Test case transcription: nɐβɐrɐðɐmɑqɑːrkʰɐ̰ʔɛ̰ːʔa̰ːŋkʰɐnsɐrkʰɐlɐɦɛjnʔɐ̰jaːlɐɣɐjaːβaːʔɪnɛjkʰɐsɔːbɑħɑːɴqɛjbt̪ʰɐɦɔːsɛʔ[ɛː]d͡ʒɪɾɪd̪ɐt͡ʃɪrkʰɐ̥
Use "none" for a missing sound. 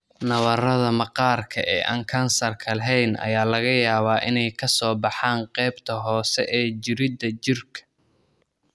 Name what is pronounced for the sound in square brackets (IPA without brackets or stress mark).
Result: ɛː